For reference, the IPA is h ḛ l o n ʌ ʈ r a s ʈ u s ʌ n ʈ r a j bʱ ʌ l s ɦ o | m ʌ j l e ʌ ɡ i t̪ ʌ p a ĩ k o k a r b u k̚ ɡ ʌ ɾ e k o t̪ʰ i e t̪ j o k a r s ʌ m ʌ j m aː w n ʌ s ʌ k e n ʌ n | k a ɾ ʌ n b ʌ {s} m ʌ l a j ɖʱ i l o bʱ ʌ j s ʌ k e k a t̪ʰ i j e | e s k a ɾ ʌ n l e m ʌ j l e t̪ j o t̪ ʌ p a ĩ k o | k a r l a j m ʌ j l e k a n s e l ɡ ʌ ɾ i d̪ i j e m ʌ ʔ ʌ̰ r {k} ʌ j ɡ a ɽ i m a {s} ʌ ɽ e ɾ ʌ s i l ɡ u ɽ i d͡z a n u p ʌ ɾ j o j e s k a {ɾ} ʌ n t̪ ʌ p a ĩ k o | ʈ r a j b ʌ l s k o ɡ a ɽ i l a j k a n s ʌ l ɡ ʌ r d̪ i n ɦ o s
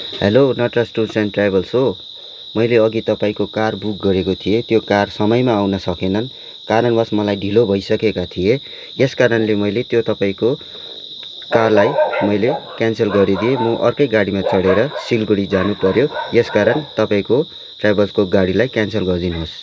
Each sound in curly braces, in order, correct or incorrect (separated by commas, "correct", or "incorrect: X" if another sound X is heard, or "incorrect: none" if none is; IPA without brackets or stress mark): correct, correct, incorrect: t͡s, correct